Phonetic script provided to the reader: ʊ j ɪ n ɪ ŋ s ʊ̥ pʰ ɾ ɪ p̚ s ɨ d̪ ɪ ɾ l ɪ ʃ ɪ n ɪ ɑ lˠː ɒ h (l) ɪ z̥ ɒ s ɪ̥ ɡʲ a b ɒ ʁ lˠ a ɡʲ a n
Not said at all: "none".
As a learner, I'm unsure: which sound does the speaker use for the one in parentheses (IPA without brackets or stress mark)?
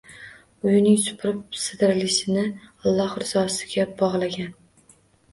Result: ɾ